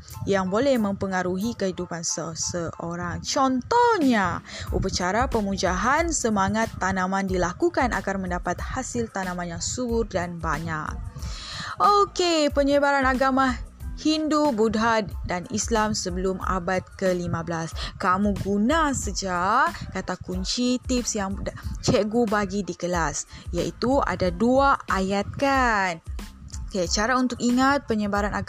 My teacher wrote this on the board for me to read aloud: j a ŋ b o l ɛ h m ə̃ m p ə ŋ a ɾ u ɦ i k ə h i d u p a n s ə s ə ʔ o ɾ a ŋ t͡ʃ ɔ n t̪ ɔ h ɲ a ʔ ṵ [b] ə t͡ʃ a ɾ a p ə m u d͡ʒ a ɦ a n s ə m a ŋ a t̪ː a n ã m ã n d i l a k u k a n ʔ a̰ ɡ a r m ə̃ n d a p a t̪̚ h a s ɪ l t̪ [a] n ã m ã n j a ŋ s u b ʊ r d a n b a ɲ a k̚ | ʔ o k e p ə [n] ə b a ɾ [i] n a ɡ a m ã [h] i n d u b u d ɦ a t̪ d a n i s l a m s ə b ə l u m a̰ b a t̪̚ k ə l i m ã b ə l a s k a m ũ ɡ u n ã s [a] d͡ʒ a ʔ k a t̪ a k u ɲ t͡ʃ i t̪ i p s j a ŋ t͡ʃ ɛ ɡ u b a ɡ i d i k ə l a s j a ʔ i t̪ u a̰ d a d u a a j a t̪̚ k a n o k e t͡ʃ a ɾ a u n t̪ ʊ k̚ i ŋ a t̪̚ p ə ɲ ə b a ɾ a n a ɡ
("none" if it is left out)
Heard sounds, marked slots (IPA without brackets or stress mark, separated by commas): p, a, ɲ, a, h, ə